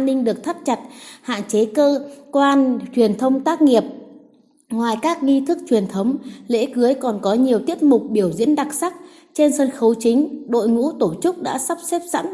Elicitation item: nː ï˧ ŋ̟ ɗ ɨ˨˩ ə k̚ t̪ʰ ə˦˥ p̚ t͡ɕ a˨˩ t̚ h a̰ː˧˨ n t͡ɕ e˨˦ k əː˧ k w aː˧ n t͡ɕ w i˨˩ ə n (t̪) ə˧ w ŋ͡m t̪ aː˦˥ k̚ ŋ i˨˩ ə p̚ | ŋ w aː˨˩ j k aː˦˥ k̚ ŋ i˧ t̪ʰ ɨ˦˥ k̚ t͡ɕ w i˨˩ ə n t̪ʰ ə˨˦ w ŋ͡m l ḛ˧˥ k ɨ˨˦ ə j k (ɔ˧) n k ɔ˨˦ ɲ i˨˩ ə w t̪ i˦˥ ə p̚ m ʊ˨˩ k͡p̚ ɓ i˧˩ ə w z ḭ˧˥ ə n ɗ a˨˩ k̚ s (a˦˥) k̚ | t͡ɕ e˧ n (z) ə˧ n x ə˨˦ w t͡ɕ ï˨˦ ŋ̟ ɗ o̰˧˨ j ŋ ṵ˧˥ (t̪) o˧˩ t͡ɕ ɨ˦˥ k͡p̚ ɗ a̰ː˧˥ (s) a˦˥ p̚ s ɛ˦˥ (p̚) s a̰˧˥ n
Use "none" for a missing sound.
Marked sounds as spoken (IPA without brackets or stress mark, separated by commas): t̪ʰ, ɔ˨˩, a˦˥, s, t̪, s, p̚